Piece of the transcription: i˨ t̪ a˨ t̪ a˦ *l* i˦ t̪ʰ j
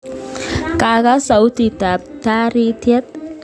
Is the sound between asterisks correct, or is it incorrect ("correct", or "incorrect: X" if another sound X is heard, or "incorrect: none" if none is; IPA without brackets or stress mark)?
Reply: incorrect: ɾ